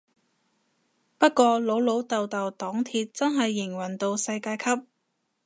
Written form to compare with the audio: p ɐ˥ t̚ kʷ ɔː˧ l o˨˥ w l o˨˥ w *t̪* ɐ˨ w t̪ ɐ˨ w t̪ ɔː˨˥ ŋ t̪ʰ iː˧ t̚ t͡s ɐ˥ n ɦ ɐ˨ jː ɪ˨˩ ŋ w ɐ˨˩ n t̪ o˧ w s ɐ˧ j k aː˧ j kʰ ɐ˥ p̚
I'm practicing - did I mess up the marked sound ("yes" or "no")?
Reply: no